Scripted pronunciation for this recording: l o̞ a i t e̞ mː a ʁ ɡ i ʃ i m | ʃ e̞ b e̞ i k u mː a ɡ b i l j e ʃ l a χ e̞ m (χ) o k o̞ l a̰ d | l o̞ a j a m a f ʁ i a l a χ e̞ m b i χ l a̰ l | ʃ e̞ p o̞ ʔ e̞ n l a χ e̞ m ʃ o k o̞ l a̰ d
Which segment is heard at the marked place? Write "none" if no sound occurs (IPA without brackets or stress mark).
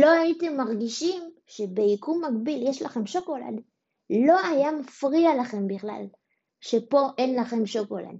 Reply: ʃ